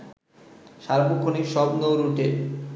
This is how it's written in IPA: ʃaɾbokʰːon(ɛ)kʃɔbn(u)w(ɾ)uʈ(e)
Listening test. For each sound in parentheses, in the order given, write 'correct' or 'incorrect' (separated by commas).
incorrect, incorrect, correct, correct